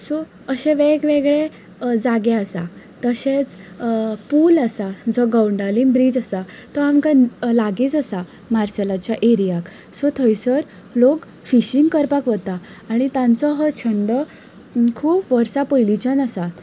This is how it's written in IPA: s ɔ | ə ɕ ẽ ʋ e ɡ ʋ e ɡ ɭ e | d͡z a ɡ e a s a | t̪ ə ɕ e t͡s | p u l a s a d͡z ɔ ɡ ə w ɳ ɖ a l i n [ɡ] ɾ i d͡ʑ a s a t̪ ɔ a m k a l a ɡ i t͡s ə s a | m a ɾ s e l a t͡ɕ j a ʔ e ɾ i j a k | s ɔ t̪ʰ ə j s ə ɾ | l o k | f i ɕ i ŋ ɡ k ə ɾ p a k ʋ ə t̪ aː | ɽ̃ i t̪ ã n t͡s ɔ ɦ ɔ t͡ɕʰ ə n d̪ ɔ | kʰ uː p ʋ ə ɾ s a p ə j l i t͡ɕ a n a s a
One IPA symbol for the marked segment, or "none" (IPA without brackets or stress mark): b